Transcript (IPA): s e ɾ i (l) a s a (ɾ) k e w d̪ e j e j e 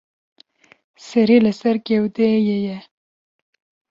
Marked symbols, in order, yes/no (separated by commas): yes, yes